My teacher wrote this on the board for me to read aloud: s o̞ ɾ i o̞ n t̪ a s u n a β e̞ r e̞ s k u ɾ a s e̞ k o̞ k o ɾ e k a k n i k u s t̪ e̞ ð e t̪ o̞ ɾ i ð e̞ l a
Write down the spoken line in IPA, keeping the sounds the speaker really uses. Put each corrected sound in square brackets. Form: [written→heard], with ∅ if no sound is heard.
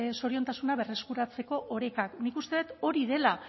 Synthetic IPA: s o̞ ɾ i o̞ n t̪ a s u n a β e̞ r e̞ s k u ɾ a [s→t͡s] e̞ k o̞ [k→ʔ] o ɾ e k a k n i k u s t̪ e̞ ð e t̪ o̞ ɾ i ð e̞ l a